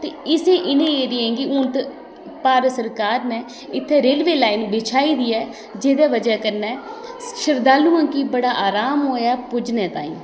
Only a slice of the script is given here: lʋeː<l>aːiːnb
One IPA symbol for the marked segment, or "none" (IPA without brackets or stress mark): l